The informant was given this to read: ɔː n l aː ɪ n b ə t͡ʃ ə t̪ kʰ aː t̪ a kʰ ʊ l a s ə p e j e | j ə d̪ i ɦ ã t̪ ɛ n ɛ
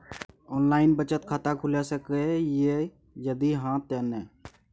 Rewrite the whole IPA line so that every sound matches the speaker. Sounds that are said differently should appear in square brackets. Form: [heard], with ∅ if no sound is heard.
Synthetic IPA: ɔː n l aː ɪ n b ə t͡ʃ ə t̪ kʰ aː t̪ a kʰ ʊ l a s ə [k] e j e | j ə d̪ i ɦ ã t̪ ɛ n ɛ